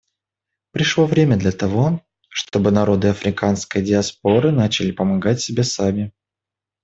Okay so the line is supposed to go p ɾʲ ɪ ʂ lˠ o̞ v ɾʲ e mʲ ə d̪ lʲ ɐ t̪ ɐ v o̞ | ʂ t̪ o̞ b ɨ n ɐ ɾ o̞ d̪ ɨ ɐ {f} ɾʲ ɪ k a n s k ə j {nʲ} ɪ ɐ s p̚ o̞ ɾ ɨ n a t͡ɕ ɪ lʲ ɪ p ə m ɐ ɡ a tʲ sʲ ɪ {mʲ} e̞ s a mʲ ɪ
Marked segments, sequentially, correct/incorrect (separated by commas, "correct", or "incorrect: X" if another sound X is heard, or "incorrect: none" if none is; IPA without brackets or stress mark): correct, incorrect: dʲ, incorrect: bʲ